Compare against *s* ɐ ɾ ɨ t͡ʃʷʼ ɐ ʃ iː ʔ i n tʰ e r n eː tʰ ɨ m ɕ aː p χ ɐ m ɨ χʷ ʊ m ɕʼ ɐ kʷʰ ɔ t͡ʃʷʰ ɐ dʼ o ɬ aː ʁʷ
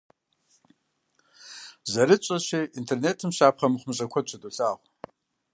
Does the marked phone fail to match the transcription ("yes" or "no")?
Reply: yes